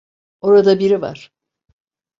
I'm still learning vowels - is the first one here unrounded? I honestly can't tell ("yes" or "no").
no